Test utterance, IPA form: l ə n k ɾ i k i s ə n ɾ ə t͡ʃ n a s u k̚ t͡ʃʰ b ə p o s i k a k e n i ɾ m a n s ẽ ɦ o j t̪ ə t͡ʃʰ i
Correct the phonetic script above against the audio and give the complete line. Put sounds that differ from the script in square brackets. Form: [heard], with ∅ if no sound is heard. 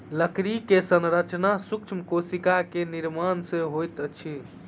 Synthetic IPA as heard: l ə [∅] k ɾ i k [e] s ə n ɾ ə t͡ʃ n a s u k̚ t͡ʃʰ [m] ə [k] o s i k a k e n i ɾ m a n s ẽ ɦ o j t̪ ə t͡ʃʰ i